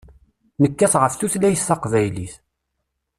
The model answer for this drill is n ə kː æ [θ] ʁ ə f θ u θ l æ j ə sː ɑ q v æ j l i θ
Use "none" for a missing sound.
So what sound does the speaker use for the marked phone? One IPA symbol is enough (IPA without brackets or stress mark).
θ